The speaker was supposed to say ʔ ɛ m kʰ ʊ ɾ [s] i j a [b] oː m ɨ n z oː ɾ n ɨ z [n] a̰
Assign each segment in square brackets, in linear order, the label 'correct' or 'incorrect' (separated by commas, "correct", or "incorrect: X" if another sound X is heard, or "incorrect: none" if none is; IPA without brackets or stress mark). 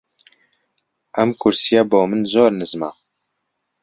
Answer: correct, correct, incorrect: m